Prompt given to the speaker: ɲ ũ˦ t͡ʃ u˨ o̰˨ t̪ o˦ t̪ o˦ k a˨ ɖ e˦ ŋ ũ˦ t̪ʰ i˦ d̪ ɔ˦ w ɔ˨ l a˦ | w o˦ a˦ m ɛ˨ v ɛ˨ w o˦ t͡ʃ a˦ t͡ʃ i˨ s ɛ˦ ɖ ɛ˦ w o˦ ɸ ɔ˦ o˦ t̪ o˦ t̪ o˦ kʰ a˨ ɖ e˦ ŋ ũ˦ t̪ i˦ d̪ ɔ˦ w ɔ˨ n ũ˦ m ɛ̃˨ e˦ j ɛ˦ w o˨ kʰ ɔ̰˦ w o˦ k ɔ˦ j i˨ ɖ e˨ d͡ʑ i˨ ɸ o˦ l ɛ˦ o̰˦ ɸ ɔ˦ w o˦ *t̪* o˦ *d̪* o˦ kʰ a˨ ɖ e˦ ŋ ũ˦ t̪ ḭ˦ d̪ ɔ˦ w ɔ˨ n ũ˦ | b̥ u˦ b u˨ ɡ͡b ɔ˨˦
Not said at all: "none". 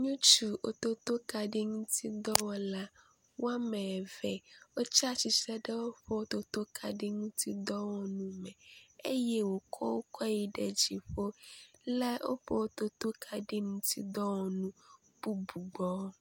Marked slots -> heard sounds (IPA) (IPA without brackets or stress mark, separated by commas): t̪, t̪